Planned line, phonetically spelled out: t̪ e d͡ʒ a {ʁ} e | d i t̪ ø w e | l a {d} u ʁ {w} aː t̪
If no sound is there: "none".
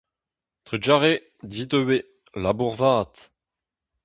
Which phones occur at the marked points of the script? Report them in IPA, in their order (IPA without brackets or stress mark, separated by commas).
ʁ, b, v